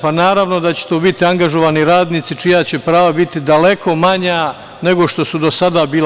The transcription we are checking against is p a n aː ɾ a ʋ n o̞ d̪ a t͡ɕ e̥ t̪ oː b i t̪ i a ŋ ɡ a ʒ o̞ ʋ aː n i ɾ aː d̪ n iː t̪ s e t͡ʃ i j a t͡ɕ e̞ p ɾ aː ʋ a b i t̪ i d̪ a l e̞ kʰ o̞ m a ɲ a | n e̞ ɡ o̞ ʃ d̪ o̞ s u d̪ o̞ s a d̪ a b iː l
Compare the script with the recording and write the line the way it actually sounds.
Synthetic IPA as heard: p a n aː ɾ a ʋ n o̞ d̪ a t͡ɕ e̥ t̪ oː b i t̪ i a ŋ ɡ a ʒ o̞ ʋ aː n i ɾ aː d̪ n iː t̪ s i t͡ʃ i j a t͡ɕ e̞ p ɾ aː ʋ a b i t̪ i d̪ a l e̞ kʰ o̞ m a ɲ a | n e̞ ɡ o̞ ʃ t̪ o̞ s u d̪ o̞ s a d̪ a b iː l